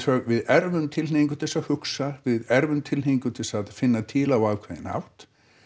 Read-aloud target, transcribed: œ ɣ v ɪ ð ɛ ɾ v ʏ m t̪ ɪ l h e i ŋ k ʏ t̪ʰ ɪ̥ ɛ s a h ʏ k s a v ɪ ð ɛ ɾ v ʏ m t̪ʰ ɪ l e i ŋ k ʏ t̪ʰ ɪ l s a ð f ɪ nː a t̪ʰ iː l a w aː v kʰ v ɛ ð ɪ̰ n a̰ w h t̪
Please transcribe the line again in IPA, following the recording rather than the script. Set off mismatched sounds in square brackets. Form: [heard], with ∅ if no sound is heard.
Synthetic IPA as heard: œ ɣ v ɪ ð ɛ ɾ v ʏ m [t̪ʰ] ɪ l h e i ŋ k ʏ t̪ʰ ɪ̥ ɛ s a h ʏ k s a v ɪ ð ɛ ɾ v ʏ m t̪ʰ ɪ l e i ŋ k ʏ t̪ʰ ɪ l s a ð f ɪ nː a t̪ʰ iː l a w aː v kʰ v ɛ ð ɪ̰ n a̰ w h t̪